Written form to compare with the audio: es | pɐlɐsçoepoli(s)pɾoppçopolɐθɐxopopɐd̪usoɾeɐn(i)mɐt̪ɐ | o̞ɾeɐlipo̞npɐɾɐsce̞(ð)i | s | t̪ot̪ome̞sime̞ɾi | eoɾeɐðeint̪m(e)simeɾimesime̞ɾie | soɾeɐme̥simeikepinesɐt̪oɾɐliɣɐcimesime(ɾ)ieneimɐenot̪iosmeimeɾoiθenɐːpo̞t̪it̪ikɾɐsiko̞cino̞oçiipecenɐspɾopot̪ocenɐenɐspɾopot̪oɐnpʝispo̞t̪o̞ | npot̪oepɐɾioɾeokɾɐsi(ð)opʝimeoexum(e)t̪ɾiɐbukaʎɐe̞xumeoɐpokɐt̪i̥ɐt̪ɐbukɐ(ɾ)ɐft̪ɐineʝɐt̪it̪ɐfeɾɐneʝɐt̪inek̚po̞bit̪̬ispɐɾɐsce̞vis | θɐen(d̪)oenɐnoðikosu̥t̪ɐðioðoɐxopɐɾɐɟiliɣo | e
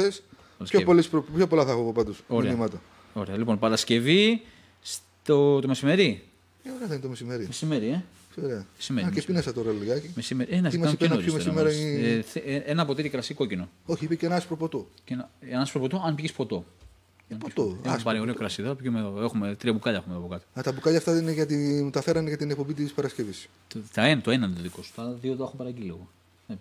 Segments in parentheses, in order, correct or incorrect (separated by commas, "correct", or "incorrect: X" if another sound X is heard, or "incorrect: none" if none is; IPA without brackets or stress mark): correct, correct, incorrect: v, correct, correct, correct, correct, incorrect: ʎ, incorrect: t̪